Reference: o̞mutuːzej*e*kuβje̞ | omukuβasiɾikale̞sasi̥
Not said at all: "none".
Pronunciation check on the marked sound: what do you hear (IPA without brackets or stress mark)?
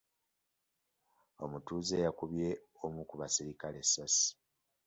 a